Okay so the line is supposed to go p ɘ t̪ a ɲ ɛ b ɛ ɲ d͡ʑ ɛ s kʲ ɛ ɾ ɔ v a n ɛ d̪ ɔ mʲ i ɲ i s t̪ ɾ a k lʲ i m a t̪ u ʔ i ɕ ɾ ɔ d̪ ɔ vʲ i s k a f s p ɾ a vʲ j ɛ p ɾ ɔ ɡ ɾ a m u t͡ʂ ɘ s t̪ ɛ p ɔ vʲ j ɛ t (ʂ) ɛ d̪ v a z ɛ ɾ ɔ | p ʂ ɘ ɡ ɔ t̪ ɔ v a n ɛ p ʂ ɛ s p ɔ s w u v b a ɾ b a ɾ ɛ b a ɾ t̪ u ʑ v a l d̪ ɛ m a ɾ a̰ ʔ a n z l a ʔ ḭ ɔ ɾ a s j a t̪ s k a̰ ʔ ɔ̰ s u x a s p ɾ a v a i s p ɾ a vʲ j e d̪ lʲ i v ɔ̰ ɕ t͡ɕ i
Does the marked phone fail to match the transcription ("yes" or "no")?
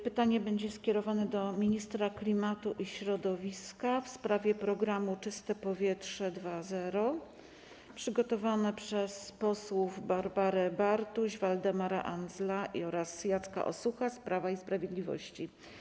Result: no